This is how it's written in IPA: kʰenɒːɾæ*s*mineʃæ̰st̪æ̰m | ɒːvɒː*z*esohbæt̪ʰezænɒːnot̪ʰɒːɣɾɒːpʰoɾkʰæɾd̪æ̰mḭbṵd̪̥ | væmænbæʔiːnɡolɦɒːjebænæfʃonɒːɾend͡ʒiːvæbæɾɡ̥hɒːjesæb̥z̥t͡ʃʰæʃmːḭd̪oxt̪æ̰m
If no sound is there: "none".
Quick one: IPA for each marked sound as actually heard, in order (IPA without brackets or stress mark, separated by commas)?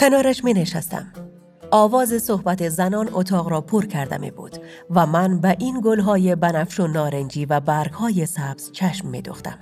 ʃ, z